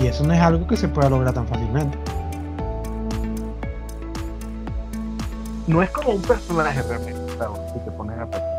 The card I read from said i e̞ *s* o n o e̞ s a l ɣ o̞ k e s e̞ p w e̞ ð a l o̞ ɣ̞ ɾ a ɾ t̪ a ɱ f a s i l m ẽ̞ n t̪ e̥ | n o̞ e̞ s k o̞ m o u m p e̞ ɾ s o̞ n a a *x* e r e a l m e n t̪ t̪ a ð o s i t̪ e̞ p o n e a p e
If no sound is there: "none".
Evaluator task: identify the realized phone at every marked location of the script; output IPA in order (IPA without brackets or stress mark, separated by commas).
s, x